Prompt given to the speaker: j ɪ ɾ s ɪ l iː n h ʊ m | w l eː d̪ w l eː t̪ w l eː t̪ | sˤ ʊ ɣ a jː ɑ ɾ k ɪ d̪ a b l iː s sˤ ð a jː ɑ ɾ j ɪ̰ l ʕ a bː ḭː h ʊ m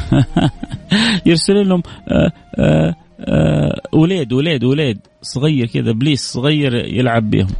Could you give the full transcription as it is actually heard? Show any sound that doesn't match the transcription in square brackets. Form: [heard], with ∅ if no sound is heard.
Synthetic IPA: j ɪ ɾ s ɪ l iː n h ʊ m | w l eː d̪ w l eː [d̪] w l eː [d̪] | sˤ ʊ ɣ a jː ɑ ɾ k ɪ d̪ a b l iː s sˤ [ɣ] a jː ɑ ɾ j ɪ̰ l ʕ a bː ḭː h ʊ m